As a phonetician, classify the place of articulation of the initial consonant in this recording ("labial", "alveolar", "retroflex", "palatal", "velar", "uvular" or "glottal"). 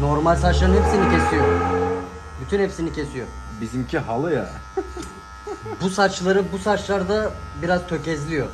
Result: alveolar